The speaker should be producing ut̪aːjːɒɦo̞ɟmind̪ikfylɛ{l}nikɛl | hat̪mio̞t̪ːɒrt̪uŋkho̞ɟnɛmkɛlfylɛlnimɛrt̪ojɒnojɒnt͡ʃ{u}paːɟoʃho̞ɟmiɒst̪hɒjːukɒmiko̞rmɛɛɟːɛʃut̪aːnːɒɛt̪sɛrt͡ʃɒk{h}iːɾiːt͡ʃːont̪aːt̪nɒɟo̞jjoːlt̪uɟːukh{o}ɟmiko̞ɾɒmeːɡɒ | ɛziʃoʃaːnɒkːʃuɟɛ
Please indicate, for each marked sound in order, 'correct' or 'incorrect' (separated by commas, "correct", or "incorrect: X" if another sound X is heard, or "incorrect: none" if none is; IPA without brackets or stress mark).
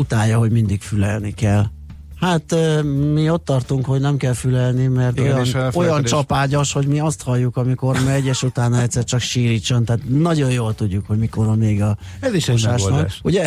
correct, incorrect: ɒ, incorrect: ʃ, correct